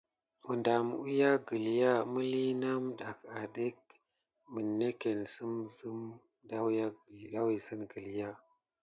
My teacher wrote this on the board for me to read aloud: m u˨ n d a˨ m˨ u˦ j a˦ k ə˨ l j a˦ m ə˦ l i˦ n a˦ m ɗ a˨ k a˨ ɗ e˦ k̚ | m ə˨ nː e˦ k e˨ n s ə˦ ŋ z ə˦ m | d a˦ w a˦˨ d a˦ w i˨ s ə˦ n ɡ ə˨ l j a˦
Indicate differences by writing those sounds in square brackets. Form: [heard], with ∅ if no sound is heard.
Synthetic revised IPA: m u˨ n d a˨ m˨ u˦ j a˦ [ɡ] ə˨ l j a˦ m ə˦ l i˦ n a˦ m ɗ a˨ k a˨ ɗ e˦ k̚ | m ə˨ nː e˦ k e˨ n s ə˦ [m] z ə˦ m | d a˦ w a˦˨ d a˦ w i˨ s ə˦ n ɡ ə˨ l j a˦

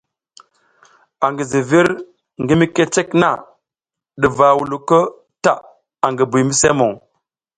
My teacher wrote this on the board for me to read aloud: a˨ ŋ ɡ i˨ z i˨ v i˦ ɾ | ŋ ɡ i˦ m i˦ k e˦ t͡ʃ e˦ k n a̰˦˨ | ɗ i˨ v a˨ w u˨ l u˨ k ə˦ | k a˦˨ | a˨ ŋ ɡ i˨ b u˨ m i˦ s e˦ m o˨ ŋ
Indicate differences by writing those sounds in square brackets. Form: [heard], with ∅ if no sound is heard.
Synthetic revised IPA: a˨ ŋ ɡ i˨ z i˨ v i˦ ɾ | ŋ ɡ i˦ m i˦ k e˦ t͡ʃ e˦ k n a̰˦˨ | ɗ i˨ v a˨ w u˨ l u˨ k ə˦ | [t] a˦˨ | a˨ ŋ ɡ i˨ b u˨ m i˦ s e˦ m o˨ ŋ

